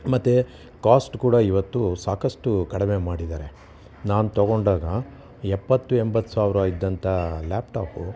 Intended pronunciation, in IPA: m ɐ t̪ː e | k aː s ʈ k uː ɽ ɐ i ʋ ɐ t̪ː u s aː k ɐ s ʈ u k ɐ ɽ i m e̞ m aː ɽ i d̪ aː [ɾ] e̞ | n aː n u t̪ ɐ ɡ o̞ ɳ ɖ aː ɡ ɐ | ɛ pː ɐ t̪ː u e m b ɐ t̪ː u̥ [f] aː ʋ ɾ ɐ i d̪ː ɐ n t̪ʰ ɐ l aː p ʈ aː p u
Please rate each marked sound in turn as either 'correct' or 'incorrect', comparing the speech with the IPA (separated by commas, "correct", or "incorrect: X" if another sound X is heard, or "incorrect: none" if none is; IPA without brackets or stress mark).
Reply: correct, incorrect: s